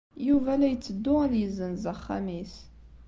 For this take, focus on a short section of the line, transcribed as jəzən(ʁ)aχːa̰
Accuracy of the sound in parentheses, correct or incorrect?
incorrect